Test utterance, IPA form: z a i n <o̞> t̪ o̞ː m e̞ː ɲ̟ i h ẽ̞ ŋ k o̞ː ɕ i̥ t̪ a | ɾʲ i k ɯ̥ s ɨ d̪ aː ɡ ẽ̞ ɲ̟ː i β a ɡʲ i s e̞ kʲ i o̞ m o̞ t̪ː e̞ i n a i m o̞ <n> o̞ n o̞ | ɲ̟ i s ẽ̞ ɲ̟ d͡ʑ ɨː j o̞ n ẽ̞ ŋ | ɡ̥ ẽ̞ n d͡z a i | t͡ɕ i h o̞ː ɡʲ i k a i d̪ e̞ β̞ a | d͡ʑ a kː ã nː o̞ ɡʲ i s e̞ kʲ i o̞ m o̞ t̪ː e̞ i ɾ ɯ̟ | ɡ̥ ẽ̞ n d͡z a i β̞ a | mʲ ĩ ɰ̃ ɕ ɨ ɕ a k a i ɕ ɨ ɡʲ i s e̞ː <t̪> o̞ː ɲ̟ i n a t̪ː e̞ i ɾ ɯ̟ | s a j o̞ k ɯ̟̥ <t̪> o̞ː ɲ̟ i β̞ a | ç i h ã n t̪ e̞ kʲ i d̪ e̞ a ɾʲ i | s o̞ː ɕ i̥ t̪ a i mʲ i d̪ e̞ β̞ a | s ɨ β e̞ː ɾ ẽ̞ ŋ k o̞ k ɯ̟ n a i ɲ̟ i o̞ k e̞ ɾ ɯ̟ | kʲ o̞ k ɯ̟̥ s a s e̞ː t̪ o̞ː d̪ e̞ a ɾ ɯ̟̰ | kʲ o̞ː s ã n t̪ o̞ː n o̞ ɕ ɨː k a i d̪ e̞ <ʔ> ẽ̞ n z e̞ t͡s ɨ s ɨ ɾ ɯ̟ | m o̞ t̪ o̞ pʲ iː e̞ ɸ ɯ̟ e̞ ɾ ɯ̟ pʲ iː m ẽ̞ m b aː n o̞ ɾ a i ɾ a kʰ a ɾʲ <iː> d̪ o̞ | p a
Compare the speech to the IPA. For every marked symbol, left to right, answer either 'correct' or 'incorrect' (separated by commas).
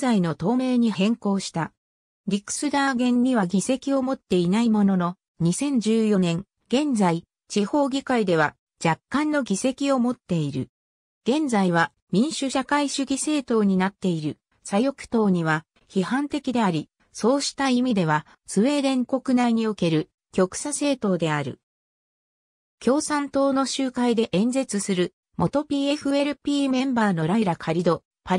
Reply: correct, correct, correct, correct, correct, incorrect